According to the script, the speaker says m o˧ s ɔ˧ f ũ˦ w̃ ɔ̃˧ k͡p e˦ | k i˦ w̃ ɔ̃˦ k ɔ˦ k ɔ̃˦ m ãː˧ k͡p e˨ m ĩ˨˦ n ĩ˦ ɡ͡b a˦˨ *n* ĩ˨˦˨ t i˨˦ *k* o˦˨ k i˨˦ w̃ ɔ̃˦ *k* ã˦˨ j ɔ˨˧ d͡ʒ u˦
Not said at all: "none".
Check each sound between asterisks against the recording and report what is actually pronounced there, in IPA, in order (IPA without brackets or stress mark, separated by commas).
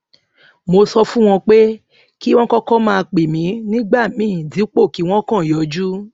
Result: m, k͡p, k